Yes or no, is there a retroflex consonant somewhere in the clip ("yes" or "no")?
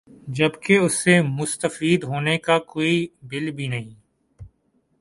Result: no